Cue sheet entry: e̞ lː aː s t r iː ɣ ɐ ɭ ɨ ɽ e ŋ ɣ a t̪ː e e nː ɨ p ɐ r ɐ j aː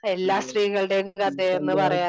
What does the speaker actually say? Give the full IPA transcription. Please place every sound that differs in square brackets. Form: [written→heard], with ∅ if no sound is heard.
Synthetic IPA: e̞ lː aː s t r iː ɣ ɐ ɭ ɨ ɽ e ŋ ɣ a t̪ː e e nː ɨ p ɐ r ɐ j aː

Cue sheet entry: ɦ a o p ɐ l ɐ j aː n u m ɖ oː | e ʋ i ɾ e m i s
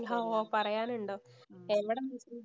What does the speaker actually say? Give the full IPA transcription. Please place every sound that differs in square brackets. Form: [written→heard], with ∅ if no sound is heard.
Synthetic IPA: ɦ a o p ɐ [l→r] ɐ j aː n u [m→ɳ] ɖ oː | e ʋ i [ɾ→ɽ] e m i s

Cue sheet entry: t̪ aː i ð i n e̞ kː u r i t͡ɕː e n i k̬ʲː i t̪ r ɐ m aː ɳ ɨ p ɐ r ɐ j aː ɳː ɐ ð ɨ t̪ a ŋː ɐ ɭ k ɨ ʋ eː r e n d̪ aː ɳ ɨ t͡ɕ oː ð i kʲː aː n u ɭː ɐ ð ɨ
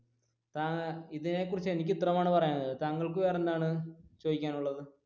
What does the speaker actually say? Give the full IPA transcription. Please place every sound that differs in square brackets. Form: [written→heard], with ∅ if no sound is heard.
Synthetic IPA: t̪ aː i ð i n e̞ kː u r i t͡ɕː e n i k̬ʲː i t̪ r ɐ m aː ɳ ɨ p ɐ r ɐ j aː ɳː ɐ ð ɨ t̪ a ŋː ɐ ɭ k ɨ ʋ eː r e n d̪ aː ɳ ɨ t͡ɕ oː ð i kʲː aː n u ɭː ɐ ð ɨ

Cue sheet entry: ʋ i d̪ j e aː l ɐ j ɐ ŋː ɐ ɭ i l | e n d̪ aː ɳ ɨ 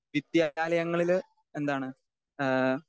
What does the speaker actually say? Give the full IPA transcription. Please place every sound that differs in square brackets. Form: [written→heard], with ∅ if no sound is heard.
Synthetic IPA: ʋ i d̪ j [e→a] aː l ɐ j ɐ ŋː ɐ ɭ i l | e n d̪ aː ɳ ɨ

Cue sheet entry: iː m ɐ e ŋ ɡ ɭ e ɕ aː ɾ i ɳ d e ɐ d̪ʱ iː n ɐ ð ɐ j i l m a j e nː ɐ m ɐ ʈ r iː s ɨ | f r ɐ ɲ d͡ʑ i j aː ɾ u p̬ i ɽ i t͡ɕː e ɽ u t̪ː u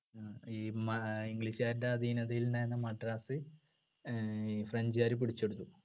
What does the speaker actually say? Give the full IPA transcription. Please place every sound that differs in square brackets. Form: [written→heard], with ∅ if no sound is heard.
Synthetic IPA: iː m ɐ [e→i] ŋ ɡ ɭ [e→i] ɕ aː ɾ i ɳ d e ɐ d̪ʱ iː n ɐ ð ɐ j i l [m→n] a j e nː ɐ m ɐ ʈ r [iː→aː] s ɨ | f r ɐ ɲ d͡ʑ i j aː ɾ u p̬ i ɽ i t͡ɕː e ɽ u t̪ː u

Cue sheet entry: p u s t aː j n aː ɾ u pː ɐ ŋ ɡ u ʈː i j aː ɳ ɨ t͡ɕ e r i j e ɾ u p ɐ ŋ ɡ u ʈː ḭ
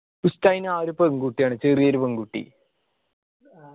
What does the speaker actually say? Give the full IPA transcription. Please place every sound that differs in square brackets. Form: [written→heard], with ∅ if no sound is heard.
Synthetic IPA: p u s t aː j n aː ɾ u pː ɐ ŋ ɡ u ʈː i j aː ɳ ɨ t͡ɕ e r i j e ɾ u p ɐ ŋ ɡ u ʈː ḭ

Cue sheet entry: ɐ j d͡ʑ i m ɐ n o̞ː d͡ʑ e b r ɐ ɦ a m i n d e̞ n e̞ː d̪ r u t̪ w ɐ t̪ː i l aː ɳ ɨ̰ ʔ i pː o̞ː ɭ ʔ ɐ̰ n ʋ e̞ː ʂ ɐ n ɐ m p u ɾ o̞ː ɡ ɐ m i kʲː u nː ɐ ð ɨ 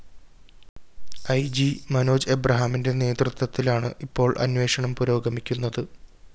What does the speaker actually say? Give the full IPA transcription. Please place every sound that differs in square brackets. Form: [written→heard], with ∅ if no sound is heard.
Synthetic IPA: ɐ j d͡ʑ i m ɐ n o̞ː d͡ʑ e b r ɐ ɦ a m i n d e̞ n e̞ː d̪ r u t̪ w ɐ t̪ː i l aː ɳ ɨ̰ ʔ i pː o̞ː ɭ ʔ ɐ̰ n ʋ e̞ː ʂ ɐ [n→ɳ] ɐ m p u ɾ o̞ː ɡ ɐ m i kʲː u nː ɐ ð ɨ

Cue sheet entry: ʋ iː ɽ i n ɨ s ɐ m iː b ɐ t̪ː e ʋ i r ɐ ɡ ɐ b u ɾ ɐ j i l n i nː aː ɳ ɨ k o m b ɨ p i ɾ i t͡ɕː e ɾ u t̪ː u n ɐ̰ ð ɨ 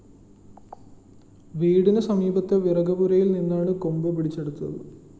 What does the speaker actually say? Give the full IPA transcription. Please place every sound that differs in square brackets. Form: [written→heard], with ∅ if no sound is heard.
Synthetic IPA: ʋ iː ɽ i n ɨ s ɐ m iː b ɐ t̪ː e ʋ i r ɐ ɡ ɐ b u ɾ ɐ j i l n i nː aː ɳ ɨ k o m b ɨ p i [ɾ→ɽ] i t͡ɕː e [ɾ→ɽ] u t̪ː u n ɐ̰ ð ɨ

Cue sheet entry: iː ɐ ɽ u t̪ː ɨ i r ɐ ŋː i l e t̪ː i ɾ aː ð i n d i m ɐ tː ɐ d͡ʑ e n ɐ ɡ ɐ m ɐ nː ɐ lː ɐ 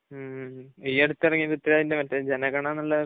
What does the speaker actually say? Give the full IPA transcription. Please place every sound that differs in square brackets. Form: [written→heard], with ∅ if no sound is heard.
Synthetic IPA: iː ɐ ɽ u t̪ː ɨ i r ɐ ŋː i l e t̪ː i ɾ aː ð i n d [i→e] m ɐ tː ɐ d͡ʑ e n ɐ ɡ ɐ [m→ɳ] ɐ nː ɐ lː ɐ

